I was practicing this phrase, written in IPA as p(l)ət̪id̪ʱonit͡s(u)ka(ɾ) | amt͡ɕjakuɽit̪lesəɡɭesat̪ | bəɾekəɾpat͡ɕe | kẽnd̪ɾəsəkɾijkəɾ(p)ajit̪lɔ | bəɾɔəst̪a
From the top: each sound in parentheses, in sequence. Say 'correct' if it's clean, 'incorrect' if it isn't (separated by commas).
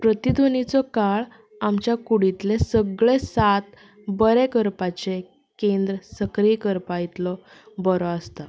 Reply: incorrect, incorrect, incorrect, correct